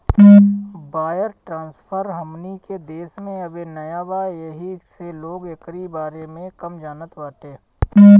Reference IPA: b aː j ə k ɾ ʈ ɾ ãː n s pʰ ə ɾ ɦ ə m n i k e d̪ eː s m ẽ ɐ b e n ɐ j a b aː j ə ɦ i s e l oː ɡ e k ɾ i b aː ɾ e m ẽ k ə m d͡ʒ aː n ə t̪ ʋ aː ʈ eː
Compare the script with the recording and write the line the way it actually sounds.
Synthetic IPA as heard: b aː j ə ɾ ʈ ɾ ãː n s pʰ ə ɾ ɦ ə m n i k e d̪ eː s m ẽ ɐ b e n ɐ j a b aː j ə ɦ i s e l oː ɡ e k ɾ i b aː ɾ e m ẽ k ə m d͡ʒ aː n ə t̪ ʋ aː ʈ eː